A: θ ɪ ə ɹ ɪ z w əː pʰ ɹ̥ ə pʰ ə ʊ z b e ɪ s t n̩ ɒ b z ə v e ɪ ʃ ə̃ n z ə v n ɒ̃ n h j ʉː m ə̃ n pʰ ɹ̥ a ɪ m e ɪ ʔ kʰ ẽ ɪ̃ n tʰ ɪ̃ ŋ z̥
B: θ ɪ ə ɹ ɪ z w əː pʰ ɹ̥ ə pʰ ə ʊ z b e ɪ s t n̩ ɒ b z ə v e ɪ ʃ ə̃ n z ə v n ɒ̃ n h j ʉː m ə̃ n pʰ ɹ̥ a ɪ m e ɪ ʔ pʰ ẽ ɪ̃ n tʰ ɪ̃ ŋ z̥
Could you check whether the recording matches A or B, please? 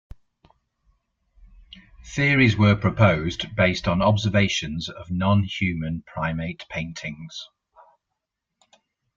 B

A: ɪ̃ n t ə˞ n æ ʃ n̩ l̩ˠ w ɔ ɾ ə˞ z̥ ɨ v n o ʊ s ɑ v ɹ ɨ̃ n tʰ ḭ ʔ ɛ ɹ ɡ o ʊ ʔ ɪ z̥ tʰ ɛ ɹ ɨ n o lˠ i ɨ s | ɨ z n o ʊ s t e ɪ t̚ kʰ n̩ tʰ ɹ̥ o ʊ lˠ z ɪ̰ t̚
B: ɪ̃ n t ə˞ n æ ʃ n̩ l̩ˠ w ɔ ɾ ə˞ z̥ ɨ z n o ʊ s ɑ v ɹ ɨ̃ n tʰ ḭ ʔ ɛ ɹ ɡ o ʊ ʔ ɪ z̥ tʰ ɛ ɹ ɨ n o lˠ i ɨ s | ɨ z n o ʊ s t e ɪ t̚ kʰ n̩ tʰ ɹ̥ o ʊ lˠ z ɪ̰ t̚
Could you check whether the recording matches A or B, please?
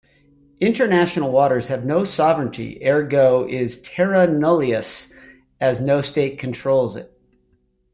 A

